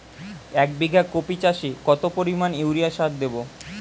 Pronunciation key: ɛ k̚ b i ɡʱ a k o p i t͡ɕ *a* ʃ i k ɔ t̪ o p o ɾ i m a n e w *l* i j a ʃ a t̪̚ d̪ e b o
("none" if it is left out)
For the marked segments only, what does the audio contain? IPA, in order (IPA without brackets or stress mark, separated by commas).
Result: a, ɾ